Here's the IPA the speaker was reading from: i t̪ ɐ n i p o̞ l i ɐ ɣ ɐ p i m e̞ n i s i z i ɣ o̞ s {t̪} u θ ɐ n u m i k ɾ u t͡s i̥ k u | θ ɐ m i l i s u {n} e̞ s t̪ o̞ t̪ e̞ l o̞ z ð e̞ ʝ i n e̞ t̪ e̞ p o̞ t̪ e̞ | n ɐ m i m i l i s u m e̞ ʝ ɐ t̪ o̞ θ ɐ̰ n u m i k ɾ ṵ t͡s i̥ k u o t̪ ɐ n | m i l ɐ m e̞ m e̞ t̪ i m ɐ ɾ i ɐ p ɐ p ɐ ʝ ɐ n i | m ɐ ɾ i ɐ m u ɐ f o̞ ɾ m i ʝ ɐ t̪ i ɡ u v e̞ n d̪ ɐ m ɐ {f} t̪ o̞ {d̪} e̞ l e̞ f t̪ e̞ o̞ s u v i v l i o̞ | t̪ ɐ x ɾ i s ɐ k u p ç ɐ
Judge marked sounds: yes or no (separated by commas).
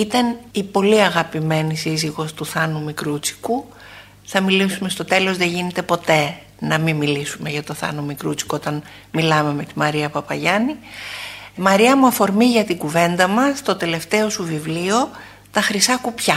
yes, no, no, no